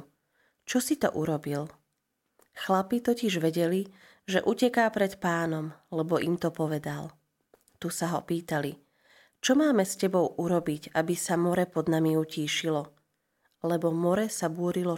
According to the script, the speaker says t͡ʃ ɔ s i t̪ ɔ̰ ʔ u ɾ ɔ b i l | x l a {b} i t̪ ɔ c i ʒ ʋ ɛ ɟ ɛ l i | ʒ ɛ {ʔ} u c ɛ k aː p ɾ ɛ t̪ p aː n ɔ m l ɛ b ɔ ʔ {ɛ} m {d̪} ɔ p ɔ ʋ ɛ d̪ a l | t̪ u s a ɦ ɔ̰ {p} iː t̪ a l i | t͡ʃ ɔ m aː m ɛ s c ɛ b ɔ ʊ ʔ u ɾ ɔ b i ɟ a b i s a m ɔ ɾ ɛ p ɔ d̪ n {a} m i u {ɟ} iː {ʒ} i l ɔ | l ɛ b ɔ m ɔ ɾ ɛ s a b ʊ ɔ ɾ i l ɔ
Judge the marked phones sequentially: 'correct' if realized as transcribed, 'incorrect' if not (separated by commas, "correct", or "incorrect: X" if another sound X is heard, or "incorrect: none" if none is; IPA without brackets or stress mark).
incorrect: p, correct, incorrect: i, incorrect: t̪, correct, correct, incorrect: c, incorrect: ʃ